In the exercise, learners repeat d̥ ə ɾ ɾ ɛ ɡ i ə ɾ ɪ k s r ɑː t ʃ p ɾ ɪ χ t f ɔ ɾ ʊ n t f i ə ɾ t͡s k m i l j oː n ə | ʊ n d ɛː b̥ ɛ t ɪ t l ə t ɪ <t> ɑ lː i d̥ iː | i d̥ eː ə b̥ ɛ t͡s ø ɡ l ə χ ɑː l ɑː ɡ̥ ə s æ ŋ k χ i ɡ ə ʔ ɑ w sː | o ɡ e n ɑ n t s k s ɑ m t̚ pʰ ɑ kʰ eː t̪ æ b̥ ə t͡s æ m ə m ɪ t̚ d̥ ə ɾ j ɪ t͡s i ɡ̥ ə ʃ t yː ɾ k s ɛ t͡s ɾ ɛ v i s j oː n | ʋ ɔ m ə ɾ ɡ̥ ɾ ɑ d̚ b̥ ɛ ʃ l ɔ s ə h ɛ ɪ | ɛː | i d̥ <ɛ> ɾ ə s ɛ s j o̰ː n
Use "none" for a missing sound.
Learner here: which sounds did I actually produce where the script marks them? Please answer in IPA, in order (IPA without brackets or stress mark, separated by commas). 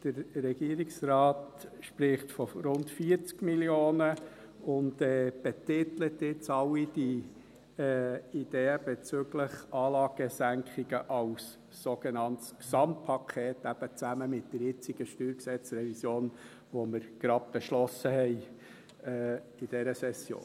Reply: t͡s, ɛ